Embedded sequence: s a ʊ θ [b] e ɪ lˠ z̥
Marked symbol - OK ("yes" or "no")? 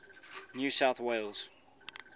no